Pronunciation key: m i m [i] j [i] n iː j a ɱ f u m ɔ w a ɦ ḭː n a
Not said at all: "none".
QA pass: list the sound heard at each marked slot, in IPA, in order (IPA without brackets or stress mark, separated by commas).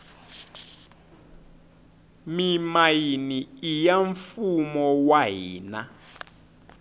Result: a, i